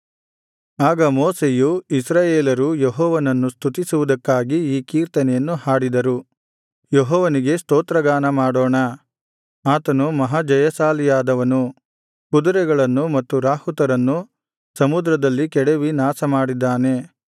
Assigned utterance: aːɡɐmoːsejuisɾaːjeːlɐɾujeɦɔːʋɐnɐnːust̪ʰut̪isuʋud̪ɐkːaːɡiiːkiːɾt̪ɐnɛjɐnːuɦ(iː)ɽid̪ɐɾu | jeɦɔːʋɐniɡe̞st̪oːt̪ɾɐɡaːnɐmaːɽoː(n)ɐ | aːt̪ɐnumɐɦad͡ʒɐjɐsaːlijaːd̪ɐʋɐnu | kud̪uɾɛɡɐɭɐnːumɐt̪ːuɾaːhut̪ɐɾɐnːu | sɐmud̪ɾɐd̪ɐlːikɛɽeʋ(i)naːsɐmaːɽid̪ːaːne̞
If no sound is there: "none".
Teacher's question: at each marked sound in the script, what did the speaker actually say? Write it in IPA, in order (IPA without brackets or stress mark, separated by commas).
aː, ɳ, i